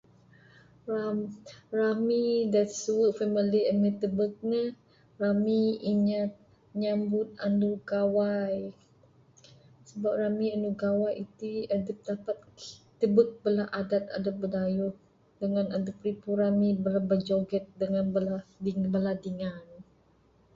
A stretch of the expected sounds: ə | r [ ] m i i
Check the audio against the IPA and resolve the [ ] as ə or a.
a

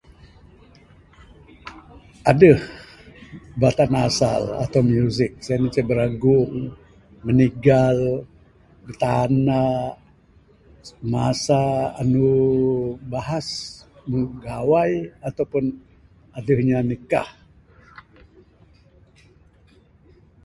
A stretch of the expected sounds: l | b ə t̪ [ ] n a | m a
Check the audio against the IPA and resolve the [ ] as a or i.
a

